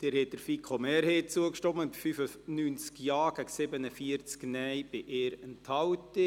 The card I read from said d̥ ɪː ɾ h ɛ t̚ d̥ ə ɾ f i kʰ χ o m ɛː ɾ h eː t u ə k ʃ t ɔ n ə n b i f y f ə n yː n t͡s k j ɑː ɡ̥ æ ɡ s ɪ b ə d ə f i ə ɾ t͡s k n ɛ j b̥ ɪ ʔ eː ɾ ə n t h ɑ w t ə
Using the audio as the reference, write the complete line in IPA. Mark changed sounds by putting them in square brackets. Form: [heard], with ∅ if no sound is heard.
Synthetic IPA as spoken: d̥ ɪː ɾ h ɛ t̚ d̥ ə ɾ f i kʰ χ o m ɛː ɾ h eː [t͡s] u ə k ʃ t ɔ [m] ə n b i f y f ə n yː n t͡s k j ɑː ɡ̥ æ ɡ s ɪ b ə [n] ə f i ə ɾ t͡s k n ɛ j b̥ ɪ ʔ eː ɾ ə n t h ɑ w t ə